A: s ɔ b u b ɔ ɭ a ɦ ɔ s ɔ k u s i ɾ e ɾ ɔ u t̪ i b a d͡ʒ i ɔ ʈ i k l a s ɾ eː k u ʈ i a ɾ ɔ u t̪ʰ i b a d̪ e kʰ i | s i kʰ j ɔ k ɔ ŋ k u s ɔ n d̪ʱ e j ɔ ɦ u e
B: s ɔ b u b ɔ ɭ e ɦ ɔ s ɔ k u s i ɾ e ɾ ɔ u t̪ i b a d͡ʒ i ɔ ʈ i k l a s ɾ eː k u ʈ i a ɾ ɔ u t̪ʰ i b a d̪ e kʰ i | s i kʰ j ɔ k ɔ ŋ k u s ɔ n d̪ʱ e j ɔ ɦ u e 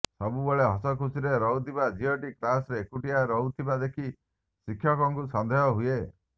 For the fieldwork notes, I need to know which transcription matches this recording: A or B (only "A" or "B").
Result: B